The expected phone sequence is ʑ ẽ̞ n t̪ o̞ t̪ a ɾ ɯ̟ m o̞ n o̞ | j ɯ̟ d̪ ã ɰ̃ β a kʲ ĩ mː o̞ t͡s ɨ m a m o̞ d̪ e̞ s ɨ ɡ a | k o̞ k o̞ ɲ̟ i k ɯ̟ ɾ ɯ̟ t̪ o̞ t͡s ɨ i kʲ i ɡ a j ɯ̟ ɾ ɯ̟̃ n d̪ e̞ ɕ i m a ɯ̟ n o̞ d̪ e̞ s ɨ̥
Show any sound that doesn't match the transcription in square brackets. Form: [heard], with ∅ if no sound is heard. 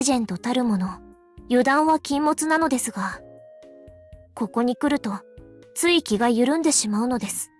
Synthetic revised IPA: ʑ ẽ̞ n t̪ o̞ t̪ a ɾ ɯ̟ m o̞ n o̞ | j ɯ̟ d̪ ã ɰ̃ β a kʲ ĩ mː o̞ t͡s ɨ [n] a [n] o̞ d̪ e̞ s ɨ ɡ a | k o̞ k o̞ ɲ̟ i k ɯ̟ ɾ ɯ̟ t̪ o̞ t͡s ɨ i kʲ i ɡ a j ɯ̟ ɾ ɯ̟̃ n d̪ e̞ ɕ i m a ɯ̟ n o̞ d̪ e̞ s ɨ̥

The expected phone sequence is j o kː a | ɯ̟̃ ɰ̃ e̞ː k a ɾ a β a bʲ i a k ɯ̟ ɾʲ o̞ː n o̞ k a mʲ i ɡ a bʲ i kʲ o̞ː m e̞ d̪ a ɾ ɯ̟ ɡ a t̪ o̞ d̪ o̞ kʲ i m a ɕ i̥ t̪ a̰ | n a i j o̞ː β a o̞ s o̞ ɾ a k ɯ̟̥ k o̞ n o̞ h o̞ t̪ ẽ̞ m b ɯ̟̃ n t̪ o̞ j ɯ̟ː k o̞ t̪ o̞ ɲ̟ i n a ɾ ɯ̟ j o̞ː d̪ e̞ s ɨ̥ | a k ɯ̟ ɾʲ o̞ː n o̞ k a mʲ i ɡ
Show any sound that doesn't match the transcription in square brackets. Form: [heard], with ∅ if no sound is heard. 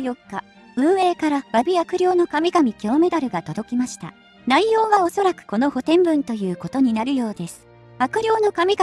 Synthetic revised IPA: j o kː a | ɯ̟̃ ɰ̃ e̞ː k a ɾ a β a bʲ i a k ɯ̟ ɾʲ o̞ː n o̞ k a mʲ i ɡ a [mʲ] i kʲ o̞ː m e̞ d̪ a ɾ ɯ̟ ɡ a t̪ o̞ d̪ o̞ kʲ i m a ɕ i̥ t̪ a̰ | n a i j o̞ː β a o̞ s o̞ ɾ a k ɯ̟̥ k o̞ n o̞ h o̞ t̪ ẽ̞ m b ɯ̟̃ n t̪ o̞ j ɯ̟ː k o̞ t̪ o̞ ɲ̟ i n a ɾ ɯ̟ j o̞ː d̪ e̞ s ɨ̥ | a k ɯ̟ ɾʲ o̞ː n o̞ k a mʲ i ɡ

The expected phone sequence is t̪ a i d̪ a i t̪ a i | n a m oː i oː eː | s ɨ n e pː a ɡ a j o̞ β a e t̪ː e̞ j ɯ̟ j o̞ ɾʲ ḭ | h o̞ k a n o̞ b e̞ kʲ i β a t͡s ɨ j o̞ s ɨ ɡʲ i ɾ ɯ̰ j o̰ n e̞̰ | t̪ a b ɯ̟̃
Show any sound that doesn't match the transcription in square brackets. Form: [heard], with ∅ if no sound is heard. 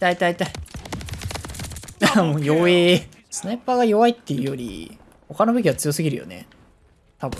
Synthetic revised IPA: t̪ a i [t̪] a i t̪ a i | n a m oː [j] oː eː | s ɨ n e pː a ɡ a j o̞ β a [i] t̪ː e̞ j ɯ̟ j o̞ ɾʲ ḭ | h o̞ k a n o̞ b e̞ kʲ i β a t͡s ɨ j o̞ s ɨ ɡʲ i ɾ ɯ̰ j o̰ n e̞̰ | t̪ a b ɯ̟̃

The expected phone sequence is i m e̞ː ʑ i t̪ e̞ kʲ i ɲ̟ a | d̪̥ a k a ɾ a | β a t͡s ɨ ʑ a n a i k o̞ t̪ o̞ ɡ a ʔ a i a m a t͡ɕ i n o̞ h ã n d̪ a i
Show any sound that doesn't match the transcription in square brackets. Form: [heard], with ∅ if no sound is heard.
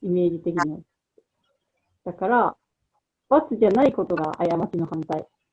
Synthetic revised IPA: i m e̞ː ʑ i t̪ e̞ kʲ i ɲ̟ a | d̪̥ a k a ɾ a | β a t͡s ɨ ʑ a n a i k o̞ t̪ o̞ ɡ a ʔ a [j] a m a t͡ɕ i n o̞ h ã n [t̪] a i

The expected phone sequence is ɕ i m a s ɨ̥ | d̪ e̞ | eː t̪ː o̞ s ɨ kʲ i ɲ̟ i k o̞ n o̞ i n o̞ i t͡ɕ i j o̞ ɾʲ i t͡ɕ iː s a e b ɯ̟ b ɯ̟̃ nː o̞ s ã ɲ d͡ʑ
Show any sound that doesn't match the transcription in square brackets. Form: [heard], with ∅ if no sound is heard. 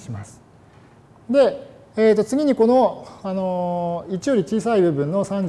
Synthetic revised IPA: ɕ i m a s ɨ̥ | d̪ e̞ | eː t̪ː o̞ [t͡s] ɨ [ɡʲ] i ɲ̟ i k o̞ n o̞ [a] n o̞ i t͡ɕ i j o̞ ɾʲ i t͡ɕ iː s a [i] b ɯ̟ b ɯ̟̃ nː o̞ s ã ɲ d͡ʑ

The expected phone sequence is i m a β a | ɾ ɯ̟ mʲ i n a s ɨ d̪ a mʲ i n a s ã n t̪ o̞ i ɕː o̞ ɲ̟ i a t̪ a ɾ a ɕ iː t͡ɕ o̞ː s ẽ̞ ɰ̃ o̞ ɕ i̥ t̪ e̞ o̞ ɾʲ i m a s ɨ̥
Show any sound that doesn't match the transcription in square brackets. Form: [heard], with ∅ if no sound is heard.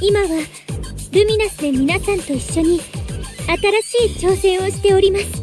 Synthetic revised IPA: i m a β a | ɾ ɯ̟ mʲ i n a s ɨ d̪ [e] mʲ i n a s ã n t̪ o̞ i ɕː o̞ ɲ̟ i a t̪ a ɾ a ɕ iː t͡ɕ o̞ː s ẽ̞ ɰ̃ o̞ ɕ i̥ t̪ e̞ o̞ ɾʲ i m a s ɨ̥

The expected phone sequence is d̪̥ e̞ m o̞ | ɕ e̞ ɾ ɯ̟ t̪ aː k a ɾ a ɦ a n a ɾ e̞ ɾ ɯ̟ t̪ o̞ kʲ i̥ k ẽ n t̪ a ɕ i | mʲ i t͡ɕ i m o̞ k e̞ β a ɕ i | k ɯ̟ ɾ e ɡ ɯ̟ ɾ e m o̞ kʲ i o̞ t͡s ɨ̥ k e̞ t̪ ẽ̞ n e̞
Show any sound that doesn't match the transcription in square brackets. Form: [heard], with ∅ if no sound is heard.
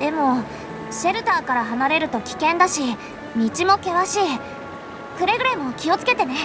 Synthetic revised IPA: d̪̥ e̞ m o̞ | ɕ e̞ ɾ ɯ̟ t̪ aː k a ɾ a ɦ a n a ɾ e̞ ɾ ɯ̟ t̪ o̞ kʲ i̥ k ẽ n [d̪] a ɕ i | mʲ i t͡ɕ i m o̞ k e̞ β a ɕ i | k ɯ̟ ɾ e ɡ ɯ̟ ɾ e m o̞ kʲ i o̞ t͡s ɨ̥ k e̞ t̪ [e̞] n e̞

